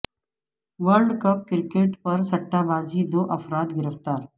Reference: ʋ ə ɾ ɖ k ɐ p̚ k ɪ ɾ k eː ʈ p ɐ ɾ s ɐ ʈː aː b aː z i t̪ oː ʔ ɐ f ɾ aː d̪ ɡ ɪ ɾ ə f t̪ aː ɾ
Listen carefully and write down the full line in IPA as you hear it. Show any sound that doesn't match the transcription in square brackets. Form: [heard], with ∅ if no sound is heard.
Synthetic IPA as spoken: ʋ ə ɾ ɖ k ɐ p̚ k ɪ ɾ k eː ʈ p ɐ ɾ s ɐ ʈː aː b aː z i [d̪] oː ʔ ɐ f ɾ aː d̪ ɡ ɪ ɾ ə f t̪ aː ɾ